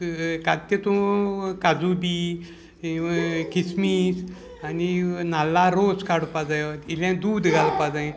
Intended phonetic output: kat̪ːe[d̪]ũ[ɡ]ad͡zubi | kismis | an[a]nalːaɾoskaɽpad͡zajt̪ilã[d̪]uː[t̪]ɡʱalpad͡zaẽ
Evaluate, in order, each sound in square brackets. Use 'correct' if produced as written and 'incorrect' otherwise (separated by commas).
incorrect, incorrect, incorrect, correct, incorrect